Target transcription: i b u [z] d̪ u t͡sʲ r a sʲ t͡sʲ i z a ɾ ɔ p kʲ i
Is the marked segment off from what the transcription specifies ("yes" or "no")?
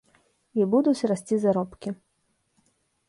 yes